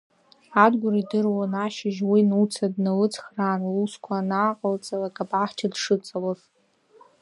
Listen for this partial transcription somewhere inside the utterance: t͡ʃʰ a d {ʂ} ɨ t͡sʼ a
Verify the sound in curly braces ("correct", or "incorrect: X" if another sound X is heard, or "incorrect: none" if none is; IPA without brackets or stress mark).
correct